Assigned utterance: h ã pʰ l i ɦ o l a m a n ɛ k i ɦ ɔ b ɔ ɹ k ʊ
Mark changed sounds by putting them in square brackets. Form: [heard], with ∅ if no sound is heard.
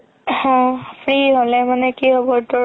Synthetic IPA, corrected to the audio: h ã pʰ [ɹ] i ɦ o l [ɛ] m a n ɛ k i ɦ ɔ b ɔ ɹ [t] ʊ